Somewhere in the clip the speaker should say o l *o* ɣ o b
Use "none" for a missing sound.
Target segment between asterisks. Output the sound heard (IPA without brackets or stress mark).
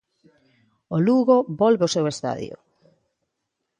u